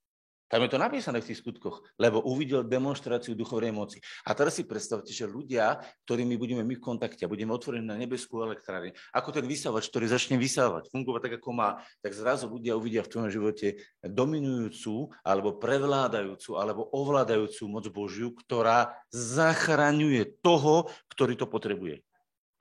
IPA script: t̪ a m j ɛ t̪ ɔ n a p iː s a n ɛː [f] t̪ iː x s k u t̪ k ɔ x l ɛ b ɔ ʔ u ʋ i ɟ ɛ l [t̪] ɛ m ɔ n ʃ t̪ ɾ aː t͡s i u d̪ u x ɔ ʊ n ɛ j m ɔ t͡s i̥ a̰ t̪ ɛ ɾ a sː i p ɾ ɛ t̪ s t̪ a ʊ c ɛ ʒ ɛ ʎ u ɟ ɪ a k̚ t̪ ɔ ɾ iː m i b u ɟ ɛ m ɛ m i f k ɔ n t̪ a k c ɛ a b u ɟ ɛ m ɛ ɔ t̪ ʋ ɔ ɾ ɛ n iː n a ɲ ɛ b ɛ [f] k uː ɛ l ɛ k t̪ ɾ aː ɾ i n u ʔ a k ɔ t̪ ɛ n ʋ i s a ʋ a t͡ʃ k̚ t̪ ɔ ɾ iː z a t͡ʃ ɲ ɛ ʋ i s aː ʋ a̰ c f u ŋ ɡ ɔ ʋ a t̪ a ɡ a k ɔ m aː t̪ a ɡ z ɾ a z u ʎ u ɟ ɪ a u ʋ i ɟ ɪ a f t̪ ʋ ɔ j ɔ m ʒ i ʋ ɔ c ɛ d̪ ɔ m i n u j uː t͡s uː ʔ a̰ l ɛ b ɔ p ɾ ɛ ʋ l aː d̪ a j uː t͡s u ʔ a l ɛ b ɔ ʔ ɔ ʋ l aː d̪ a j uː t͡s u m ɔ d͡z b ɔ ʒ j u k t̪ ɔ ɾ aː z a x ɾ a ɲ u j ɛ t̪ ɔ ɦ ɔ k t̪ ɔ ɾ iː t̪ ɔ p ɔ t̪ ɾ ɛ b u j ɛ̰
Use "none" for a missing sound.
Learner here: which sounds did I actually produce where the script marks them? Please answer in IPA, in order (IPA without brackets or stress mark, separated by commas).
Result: f, d̪, s